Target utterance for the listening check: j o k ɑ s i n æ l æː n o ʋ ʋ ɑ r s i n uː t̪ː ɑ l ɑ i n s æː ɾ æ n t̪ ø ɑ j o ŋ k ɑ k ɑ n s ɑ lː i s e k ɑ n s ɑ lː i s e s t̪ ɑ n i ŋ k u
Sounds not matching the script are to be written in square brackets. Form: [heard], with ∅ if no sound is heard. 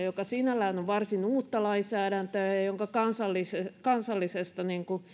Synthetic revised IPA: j o k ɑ s i n æ l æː n o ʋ ʋ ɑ r s i n uː t̪ː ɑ l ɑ i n s æː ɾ æ n t̪ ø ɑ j o ŋ k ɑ k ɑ n s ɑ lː i s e k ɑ n s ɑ lː i s e s t̪ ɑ n i ŋ k u